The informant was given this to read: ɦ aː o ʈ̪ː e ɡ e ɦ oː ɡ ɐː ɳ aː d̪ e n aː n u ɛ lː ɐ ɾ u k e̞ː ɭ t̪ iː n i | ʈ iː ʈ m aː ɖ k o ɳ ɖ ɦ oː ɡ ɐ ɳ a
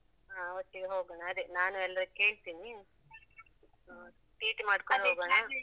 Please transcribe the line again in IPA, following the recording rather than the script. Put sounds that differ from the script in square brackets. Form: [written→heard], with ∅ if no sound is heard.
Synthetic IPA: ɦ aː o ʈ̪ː [e→i] ɡ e ɦ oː ɡ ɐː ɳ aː d̪ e n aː n u ɛ lː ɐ ɾ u k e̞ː ɭ t̪ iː n i | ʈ iː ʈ m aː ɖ k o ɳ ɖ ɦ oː ɡ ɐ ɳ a